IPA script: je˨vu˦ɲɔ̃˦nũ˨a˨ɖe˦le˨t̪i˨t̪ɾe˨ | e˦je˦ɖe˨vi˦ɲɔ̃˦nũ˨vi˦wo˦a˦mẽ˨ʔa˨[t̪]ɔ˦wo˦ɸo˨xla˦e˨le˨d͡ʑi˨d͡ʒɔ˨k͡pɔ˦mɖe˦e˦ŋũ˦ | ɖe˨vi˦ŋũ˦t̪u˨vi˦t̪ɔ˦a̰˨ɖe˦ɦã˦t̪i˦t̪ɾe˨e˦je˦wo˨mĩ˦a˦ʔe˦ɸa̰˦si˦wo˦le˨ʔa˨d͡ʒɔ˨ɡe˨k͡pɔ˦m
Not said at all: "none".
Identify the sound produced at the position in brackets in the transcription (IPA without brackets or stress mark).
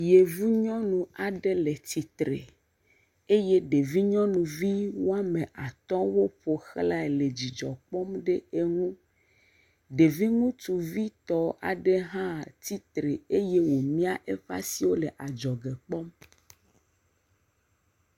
t̪